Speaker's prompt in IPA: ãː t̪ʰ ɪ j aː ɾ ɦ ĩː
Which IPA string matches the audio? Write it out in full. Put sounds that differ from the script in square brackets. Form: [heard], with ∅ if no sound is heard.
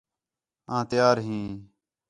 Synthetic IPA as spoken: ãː [t̪] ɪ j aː ɾ ɦ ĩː